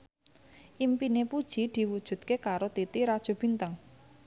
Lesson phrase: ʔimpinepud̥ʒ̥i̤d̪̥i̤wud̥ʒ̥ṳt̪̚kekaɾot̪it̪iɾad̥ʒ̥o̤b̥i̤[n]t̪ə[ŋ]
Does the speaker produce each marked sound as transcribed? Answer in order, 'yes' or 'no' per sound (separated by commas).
yes, yes